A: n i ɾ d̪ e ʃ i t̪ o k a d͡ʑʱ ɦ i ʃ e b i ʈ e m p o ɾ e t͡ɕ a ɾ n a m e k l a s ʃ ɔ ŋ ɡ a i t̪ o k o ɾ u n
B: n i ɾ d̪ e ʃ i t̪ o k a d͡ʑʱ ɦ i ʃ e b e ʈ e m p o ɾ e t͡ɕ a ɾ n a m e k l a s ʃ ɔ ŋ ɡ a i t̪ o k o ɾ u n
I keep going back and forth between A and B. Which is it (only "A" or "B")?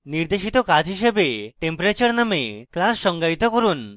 B